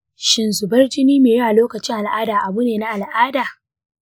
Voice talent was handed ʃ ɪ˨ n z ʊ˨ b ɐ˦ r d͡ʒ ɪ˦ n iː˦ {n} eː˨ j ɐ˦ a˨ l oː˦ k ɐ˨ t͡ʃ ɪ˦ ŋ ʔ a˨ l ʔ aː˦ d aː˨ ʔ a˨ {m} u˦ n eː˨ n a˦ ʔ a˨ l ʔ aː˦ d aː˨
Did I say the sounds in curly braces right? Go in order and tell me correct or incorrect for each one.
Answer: incorrect: m, incorrect: b

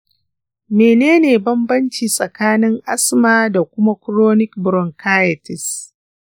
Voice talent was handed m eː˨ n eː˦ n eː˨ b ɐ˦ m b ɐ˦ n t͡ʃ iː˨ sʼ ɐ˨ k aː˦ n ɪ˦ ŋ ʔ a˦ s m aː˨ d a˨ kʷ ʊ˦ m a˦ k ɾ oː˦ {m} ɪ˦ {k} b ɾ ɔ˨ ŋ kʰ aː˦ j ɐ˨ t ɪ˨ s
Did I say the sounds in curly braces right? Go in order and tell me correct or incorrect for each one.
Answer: incorrect: n, correct

